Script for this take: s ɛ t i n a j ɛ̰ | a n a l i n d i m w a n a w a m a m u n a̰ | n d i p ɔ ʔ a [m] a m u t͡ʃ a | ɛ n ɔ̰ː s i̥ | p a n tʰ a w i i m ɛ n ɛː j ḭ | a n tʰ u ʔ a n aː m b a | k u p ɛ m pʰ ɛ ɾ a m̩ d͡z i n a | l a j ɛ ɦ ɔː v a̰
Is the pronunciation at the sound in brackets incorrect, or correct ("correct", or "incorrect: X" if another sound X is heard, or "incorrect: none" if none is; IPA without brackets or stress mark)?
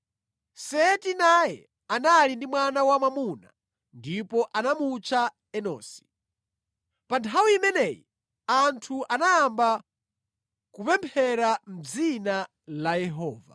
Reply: incorrect: n